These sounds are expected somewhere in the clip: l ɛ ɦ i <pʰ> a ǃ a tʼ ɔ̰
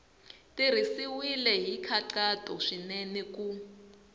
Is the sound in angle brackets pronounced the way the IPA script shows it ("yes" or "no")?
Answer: no